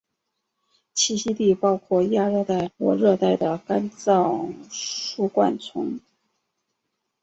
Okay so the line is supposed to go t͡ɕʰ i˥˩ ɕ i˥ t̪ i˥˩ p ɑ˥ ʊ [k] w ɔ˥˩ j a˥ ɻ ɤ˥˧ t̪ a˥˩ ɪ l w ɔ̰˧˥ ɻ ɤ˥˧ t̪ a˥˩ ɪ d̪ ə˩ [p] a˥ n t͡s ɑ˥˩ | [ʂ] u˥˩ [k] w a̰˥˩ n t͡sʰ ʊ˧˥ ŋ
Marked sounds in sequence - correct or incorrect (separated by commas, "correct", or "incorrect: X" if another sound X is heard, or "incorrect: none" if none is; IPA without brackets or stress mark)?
incorrect: kʰ, incorrect: k, correct, correct